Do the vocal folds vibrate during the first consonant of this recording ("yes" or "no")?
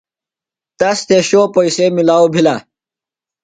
no